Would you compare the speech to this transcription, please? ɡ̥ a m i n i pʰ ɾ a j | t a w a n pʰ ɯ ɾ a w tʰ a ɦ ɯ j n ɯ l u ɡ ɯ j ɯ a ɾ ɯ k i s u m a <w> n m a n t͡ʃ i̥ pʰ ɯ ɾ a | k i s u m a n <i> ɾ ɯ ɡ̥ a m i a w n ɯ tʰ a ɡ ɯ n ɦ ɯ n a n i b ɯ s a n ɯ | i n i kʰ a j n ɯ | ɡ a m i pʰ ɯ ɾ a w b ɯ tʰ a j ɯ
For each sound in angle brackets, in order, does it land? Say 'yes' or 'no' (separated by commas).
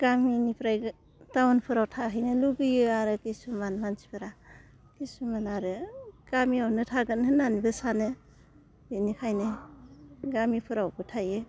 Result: no, no